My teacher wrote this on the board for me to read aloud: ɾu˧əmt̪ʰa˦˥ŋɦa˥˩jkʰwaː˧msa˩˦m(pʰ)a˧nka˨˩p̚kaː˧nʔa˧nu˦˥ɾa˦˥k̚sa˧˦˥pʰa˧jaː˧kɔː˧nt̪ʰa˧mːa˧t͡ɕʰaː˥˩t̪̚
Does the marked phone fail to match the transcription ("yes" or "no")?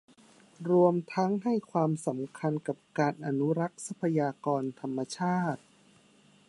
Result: yes